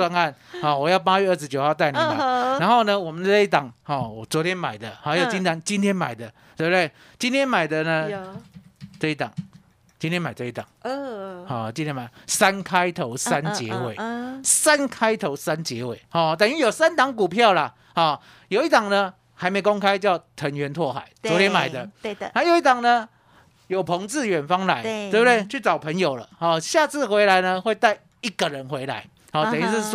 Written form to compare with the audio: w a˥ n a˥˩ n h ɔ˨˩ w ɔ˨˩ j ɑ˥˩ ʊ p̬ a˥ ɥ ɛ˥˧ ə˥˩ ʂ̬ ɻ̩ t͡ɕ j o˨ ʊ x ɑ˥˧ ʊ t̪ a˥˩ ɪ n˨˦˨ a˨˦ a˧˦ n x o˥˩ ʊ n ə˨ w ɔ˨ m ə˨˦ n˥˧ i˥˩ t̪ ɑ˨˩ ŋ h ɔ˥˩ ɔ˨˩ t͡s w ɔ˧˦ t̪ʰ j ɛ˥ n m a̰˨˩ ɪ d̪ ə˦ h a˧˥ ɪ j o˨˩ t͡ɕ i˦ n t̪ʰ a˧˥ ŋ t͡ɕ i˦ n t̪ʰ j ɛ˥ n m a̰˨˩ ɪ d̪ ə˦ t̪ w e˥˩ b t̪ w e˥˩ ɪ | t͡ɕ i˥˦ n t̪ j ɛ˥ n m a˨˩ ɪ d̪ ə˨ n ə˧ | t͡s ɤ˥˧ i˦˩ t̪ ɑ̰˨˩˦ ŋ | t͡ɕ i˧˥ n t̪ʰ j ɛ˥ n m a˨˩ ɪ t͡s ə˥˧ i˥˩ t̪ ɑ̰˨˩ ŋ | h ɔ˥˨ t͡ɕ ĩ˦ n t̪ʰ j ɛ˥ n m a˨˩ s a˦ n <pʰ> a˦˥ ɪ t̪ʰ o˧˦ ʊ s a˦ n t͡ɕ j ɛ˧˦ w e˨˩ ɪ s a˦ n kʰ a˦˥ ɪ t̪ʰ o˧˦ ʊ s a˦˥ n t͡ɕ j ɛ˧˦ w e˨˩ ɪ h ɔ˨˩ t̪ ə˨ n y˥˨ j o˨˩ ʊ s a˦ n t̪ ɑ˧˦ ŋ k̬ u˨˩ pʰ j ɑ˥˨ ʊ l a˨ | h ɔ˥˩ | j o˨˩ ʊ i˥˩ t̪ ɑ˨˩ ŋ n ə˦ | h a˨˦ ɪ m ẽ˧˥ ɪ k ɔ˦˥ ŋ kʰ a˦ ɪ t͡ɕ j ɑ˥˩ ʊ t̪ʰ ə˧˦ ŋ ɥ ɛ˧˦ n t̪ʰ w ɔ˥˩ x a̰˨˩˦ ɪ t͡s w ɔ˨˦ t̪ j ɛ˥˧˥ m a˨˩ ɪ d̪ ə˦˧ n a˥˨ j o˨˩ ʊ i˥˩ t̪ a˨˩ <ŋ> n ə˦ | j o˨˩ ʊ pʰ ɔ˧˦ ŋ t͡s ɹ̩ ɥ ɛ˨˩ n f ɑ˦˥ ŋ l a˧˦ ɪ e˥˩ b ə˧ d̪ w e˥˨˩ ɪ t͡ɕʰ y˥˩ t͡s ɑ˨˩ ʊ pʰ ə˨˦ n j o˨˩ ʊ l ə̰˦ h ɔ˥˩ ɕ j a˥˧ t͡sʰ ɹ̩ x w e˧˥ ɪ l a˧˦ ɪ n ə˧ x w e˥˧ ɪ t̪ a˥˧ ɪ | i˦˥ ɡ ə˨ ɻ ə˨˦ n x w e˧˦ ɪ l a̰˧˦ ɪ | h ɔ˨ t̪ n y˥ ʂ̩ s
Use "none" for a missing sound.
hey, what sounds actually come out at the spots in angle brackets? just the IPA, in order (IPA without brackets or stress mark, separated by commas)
kʰ, ŋ